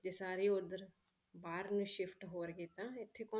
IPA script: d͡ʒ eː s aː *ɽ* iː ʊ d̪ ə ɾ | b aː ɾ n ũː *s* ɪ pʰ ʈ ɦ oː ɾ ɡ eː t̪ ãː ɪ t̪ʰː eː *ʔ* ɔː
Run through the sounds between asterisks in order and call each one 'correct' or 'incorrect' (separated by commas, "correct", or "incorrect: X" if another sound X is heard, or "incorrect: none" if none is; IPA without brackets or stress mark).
incorrect: ɾ, incorrect: ʃ, incorrect: k